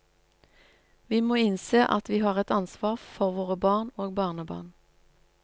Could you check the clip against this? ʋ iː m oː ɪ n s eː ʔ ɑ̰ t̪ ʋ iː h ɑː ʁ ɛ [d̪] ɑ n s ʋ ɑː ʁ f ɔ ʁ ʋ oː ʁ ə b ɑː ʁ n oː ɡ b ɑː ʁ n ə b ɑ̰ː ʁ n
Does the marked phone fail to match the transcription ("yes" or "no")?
yes